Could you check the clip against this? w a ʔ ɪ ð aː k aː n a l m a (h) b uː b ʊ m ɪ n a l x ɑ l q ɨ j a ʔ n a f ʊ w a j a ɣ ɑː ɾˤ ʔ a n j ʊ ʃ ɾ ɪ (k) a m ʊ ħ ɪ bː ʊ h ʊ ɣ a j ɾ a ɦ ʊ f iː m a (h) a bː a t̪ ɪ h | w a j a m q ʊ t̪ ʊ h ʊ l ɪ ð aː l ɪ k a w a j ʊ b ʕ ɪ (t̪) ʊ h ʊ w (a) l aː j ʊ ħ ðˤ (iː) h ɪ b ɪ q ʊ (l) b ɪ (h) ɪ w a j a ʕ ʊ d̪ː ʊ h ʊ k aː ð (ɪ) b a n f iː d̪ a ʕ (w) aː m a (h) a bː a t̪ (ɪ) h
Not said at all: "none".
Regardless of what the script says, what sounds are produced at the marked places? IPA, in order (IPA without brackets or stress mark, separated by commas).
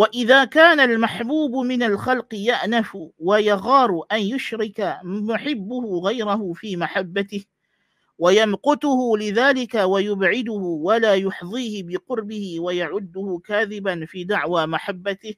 ħ, k, ħ, d̪, a, iː, ɾ, h, ɪ, w, ħ, ɪ